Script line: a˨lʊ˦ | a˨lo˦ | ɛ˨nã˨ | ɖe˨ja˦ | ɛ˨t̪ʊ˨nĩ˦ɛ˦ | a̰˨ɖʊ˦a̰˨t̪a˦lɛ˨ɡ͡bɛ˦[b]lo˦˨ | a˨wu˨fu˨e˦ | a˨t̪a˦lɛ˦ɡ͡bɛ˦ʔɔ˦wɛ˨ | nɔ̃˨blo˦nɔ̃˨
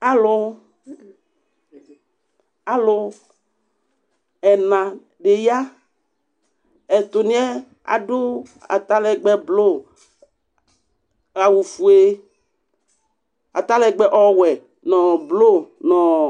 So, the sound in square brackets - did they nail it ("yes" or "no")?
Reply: yes